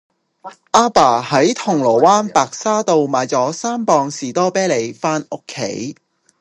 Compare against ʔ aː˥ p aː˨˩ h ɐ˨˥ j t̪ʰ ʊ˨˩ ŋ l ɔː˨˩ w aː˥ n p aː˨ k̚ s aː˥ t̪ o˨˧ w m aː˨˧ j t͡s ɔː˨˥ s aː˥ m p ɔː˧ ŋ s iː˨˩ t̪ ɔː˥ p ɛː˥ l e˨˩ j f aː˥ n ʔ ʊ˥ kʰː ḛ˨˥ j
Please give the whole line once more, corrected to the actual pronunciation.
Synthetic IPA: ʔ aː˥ p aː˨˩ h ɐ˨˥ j t̪ʰ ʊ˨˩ ŋ l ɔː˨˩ w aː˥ n p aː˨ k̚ s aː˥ t̪ o˨˧ w m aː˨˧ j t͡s ɔː˨˥ s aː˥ m p ɔː˧ ŋ s iː˨˩ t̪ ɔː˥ p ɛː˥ l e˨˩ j f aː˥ n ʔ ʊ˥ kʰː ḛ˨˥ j